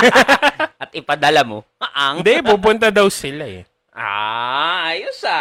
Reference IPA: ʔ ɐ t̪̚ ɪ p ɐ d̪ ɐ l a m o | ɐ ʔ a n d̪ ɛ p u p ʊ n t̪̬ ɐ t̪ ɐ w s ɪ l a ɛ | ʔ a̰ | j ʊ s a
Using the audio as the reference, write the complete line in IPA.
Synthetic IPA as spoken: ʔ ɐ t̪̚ ɪ p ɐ d̪ ɐ l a m o | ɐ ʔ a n d̪ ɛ p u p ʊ n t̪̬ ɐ d̪ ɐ w s ɪ l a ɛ | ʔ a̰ | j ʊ s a